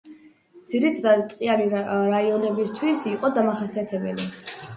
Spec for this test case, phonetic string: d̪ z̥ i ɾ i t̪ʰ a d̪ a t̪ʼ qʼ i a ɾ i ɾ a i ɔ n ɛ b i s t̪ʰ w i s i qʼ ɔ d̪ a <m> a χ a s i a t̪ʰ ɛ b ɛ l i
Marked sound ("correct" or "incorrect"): correct